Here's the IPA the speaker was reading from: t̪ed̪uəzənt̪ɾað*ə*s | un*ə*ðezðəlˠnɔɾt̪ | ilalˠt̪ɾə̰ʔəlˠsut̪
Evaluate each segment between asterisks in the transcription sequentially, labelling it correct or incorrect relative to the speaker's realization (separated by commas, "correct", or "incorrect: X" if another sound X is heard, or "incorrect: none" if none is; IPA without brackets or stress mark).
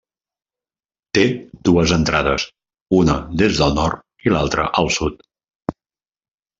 correct, correct